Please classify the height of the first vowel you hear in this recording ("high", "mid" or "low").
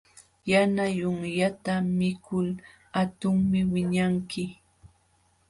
low